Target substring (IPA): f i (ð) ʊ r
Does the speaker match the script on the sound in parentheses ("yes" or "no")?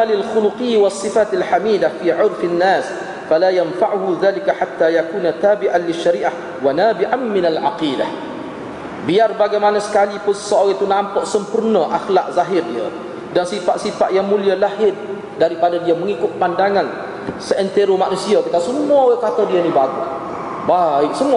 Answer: no